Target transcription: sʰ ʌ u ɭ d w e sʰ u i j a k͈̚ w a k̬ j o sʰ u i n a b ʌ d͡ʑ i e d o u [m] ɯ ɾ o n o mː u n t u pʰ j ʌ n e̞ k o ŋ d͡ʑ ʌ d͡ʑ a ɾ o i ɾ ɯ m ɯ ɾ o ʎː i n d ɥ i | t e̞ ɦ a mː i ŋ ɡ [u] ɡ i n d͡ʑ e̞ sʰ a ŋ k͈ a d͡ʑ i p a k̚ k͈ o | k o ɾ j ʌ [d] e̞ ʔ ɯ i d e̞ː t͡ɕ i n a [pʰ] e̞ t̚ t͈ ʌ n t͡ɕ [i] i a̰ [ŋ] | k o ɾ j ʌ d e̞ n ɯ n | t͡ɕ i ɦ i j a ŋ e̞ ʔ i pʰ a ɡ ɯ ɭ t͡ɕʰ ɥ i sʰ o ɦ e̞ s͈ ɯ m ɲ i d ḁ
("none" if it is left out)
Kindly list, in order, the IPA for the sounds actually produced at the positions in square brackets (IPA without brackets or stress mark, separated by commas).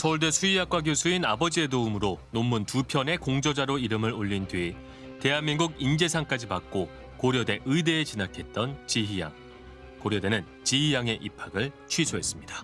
m, u, d, kʰ, i, ŋ